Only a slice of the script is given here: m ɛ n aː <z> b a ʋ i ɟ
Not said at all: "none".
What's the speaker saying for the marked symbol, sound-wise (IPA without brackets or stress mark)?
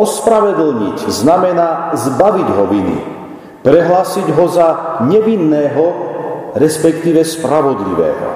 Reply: z